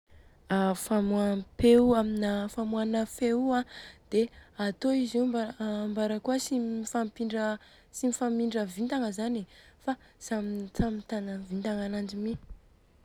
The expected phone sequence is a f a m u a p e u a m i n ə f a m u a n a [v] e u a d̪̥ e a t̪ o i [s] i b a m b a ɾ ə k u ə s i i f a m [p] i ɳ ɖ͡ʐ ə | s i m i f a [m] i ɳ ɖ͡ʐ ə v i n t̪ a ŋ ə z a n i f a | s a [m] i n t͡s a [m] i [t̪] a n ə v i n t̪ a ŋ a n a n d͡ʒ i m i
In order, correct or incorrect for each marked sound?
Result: incorrect, incorrect, correct, correct, correct, correct, correct

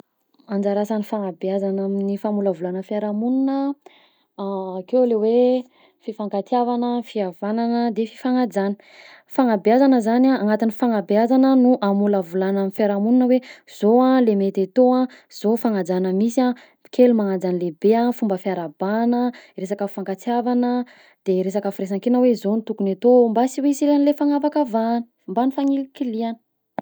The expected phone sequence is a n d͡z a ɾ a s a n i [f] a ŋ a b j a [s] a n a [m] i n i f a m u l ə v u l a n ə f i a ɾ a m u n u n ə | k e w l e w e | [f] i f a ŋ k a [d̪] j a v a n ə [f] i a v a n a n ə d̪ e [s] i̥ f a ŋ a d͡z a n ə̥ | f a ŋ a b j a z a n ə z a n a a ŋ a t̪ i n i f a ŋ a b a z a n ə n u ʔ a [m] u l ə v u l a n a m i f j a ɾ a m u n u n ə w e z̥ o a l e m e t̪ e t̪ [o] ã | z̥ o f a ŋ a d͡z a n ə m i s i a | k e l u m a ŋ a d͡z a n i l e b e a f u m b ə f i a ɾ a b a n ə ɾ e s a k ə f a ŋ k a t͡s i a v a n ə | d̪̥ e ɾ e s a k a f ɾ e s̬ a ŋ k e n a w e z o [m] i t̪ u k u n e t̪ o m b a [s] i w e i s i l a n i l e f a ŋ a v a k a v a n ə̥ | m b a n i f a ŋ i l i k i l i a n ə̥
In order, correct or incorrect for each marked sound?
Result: correct, incorrect, correct, correct, incorrect, correct, incorrect, correct, correct, incorrect, correct

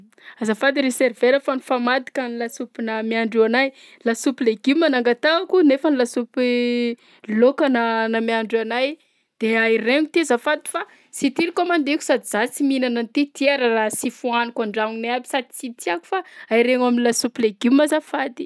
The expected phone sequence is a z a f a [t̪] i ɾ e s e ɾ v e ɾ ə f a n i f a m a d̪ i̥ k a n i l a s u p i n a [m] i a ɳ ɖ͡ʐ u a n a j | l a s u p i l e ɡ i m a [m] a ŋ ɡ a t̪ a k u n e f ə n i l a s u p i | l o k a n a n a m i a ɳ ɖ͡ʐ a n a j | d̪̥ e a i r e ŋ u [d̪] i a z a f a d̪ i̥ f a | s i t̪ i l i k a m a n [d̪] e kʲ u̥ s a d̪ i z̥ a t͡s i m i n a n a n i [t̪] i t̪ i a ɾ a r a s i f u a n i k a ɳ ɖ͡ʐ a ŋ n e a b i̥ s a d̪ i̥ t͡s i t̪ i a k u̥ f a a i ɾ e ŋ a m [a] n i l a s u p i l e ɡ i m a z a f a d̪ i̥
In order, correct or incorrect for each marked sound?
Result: incorrect, correct, incorrect, incorrect, correct, correct, incorrect

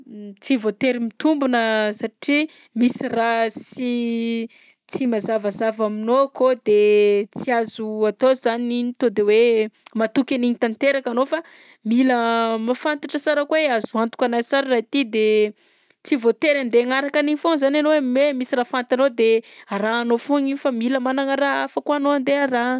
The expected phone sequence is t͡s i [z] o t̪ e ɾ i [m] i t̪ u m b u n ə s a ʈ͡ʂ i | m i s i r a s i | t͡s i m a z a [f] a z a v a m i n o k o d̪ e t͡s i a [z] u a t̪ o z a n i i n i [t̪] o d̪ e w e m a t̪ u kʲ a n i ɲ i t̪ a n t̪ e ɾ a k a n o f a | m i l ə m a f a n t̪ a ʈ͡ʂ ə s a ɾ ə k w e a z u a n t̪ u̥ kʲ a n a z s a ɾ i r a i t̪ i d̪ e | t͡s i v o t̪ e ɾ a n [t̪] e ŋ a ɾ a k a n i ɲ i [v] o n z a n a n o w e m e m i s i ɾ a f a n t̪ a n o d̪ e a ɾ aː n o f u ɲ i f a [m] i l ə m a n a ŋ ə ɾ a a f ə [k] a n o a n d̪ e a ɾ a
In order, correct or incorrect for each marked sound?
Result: incorrect, correct, incorrect, correct, correct, incorrect, incorrect, correct, correct

